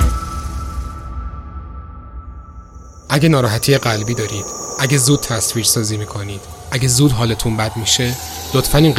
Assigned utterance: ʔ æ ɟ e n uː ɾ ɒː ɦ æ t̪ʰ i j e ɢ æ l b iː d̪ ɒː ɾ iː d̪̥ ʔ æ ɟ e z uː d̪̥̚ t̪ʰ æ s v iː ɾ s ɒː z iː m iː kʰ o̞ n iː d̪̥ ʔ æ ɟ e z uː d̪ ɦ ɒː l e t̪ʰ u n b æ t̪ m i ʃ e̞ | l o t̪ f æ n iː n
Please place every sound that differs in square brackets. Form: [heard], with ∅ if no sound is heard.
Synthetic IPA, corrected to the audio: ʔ æ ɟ e n [ɒː] ɾ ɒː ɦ æ t̪ʰ i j e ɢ æ l b iː d̪ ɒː ɾ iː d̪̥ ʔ æ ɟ e z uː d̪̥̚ t̪ʰ æ s v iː ɾ s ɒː z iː m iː kʰ o̞ n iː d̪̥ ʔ æ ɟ e z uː d̪ ɦ ɒː l e t̪ʰ u n b æ [d̪] m i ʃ e̞ | l o t̪ f æ n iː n